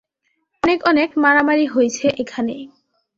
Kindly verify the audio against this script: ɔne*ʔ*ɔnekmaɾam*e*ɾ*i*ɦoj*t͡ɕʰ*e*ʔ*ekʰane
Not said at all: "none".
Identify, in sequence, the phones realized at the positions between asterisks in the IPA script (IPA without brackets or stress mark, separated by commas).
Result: k, a, i, t͡ɕʰ, ʔ